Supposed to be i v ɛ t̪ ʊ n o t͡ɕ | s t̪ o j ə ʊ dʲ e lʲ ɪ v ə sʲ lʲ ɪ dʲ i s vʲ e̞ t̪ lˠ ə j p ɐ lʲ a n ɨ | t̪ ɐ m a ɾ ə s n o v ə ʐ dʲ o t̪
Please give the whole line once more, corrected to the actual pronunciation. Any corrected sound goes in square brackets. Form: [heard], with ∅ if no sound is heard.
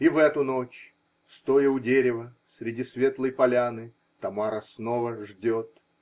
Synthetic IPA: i v ɛ t̪ ʊ n o t͡ɕ | s t̪ o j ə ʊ dʲ e [ɾʲ] ɪ v ə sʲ [ɾʲ] ɪ dʲ i s vʲ e̞ t̪ lˠ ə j p ɐ lʲ a n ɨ | t̪ ɐ m a ɾ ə s n o v ə ʐ dʲ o t̪